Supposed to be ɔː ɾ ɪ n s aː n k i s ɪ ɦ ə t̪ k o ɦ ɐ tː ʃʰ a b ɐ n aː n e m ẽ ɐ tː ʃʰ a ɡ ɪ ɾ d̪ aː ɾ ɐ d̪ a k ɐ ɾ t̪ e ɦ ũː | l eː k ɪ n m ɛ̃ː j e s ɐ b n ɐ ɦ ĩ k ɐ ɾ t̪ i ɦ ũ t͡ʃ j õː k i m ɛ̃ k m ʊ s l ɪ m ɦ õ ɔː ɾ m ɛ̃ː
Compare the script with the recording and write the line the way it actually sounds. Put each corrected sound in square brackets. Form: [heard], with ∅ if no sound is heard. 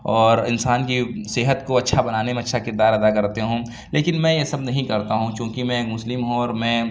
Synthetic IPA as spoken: ɔː ɾ ɪ n s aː n k i s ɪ ɦ ə t̪ k o [∅] ɐ tː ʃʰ a b ɐ n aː n e m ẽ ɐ tː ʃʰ a [k] ɪ ɾ d̪ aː ɾ ɐ d̪ a k ɐ ɾ t̪ e ɦ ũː | l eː k ɪ n m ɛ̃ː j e s ɐ b n ɐ ɦ ĩ k ɐ ɾ t̪ [a] ɦ ũ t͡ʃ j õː k i m ɛ̃ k m ʊ s l ɪ m ɦ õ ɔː ɾ m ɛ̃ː